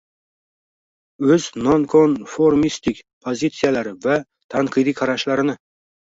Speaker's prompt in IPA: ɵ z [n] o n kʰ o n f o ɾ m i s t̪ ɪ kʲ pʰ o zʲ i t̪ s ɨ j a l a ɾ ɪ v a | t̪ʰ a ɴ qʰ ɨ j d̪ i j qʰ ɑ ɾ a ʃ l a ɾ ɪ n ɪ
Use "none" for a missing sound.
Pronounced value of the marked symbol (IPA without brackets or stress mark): n